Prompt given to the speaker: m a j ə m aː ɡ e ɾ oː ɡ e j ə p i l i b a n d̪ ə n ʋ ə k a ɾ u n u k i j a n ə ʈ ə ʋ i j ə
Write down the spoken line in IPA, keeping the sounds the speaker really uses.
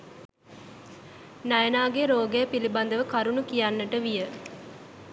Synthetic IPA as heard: n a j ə n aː ɡ e ɾ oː ɡ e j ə p i l i b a n d̪ ə ʋ ə k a ɾ u n u k i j a nː ə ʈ ə ʋ i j ə